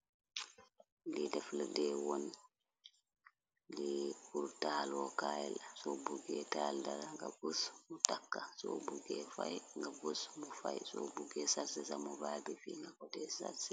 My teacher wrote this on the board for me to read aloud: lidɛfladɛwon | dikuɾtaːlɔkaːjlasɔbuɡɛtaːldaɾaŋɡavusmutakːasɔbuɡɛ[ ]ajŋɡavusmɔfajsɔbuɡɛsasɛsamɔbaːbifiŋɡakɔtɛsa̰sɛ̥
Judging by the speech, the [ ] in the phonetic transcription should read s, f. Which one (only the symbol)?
f